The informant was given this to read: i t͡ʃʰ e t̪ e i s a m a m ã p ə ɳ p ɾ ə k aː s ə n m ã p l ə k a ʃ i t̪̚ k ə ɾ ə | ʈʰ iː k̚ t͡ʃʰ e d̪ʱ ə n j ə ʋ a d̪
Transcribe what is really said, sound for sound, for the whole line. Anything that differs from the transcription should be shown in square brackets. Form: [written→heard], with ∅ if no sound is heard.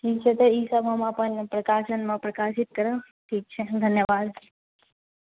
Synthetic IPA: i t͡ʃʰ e t̪ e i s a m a m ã p ə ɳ p ɾ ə k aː [s→ʃ] ə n m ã p [l→ɾ] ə k a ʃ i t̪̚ k ə ɾ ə | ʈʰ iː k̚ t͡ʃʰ e d̪ʱ ə n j ə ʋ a d̪